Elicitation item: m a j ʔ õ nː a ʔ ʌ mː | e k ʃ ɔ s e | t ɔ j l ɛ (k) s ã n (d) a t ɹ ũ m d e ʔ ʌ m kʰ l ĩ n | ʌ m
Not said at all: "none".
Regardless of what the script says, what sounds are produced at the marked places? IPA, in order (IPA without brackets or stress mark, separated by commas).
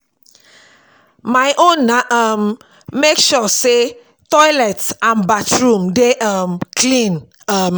t, b